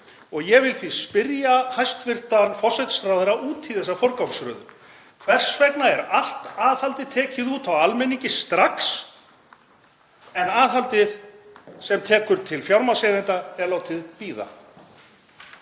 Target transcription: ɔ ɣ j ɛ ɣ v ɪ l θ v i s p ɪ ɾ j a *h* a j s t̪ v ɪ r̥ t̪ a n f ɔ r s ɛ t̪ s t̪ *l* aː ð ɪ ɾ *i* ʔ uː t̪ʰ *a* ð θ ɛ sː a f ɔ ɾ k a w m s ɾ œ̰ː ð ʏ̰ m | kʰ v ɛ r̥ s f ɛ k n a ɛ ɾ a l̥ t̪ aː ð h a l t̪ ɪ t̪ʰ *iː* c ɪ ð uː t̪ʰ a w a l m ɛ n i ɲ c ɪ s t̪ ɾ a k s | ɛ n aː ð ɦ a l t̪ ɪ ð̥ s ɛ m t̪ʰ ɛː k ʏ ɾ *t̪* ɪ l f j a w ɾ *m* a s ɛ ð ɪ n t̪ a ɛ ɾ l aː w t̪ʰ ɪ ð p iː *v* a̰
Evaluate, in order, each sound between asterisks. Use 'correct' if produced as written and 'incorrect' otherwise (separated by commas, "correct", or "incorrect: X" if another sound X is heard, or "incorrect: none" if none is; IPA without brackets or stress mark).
correct, incorrect: ɾ, incorrect: a, incorrect: i, incorrect: ɛː, incorrect: t̪ʰ, correct, incorrect: ð